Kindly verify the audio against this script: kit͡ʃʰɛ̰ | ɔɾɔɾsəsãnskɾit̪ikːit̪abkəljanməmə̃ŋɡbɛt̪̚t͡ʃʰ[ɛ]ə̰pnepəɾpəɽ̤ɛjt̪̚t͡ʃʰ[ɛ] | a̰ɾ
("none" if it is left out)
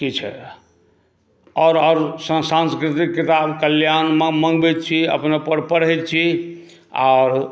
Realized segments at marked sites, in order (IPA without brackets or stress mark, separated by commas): i, i